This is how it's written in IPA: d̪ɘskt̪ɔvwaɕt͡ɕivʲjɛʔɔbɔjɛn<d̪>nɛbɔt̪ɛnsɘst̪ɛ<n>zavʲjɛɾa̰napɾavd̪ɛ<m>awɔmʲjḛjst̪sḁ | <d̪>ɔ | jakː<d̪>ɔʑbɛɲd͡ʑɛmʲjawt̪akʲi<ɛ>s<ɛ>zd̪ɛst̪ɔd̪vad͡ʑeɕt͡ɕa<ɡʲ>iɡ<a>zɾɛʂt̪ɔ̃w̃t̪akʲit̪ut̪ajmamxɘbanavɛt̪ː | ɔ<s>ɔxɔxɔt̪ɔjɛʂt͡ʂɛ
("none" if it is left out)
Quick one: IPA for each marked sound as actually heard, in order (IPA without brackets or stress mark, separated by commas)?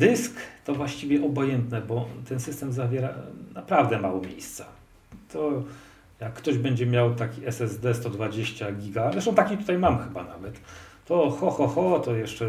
t̪, m, m, t̪, t̪, ɛ, ɛ, ɡʲ, a, x